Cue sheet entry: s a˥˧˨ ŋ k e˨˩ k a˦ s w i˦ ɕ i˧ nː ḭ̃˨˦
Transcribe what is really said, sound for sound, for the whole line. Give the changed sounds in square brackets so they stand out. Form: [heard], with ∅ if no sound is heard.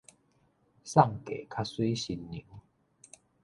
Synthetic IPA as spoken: s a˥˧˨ ŋ k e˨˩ [kʰ] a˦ s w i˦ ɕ i˧ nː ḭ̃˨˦